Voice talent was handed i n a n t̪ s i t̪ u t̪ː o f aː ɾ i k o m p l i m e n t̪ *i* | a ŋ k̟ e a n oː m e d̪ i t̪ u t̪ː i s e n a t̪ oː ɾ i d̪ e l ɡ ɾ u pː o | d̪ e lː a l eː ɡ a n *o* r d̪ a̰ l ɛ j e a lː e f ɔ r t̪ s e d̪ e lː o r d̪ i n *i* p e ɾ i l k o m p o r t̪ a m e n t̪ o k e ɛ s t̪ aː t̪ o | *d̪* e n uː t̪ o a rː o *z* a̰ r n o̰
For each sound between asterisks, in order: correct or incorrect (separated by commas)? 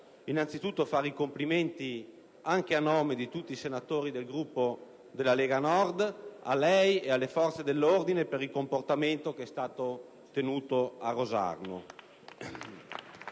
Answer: correct, incorrect, incorrect, incorrect, correct